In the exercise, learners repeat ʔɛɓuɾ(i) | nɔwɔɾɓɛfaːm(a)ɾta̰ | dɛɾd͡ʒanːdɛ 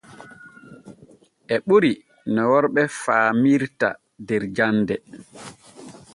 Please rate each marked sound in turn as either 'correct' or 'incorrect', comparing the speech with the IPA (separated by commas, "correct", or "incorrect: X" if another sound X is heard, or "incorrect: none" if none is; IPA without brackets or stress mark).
correct, incorrect: i